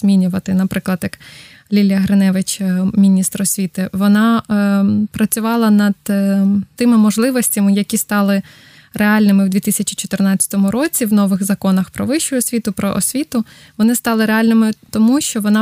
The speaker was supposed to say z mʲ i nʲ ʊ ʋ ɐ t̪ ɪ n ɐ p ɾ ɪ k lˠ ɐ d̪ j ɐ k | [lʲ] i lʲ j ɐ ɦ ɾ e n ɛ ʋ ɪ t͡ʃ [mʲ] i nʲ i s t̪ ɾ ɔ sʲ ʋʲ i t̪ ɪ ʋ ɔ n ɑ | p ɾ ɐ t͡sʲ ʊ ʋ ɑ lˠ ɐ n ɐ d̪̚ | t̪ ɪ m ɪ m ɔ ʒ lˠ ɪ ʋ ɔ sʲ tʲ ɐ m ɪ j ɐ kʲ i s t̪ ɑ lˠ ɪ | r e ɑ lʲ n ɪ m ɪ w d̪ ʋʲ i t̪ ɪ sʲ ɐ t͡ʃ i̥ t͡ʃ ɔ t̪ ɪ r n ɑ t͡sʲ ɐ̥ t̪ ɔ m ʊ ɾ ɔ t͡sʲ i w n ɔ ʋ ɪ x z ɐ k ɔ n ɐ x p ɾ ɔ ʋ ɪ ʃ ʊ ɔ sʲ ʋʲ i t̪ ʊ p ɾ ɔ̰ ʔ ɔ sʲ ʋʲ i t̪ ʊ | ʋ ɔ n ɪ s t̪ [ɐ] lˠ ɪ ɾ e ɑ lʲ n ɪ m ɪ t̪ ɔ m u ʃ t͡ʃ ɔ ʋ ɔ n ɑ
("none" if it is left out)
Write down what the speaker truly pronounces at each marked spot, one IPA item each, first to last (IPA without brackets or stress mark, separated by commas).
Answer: lʲ, mʲ, ɑ